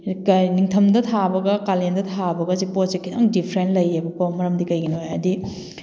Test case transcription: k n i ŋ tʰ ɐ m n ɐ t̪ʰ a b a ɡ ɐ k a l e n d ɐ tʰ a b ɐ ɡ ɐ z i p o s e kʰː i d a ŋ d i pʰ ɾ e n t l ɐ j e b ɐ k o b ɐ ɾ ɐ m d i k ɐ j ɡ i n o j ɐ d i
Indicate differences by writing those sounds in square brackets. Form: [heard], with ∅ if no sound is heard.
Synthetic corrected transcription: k n i ŋ tʰ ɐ m [d] ɐ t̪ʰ a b [ɐ] ɡ ɐ k a l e n d ɐ tʰ a b ɐ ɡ ɐ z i p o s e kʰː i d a ŋ d i pʰ ɾ e n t l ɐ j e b ɐ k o [m] ɐ ɾ ɐ m d i k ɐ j ɡ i n o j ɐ d i